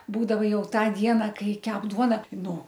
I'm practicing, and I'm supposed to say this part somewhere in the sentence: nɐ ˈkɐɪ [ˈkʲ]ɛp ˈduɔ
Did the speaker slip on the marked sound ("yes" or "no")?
no